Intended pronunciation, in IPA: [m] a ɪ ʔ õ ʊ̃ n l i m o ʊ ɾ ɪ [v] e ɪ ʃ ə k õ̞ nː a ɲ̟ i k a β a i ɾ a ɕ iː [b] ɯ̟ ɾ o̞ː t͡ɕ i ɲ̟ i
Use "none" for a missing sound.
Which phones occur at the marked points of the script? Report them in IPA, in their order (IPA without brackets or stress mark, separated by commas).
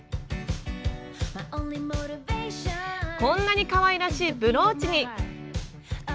m, v, b